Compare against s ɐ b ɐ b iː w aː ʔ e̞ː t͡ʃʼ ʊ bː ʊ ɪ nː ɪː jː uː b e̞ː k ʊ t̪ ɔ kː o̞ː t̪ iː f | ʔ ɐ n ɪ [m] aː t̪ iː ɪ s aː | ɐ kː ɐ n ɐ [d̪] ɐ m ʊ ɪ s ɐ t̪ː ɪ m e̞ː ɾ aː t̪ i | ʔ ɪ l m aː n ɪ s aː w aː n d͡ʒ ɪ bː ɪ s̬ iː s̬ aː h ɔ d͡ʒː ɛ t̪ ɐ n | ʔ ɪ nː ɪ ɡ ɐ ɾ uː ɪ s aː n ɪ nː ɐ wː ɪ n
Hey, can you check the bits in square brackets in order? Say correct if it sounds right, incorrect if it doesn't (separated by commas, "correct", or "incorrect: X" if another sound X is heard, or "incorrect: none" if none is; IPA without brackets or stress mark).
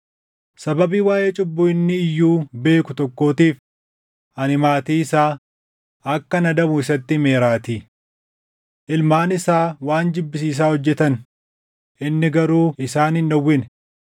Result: correct, correct